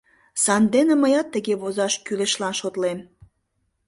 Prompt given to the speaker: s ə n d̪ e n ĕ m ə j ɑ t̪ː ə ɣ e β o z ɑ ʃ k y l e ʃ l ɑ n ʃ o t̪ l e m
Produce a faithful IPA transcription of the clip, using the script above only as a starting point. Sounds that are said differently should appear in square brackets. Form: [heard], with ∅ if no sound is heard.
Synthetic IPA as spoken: s [ɑ] n d̪ e n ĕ m ə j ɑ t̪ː ə ɣ e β o z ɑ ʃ k y l e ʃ l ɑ n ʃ o t̪ l e m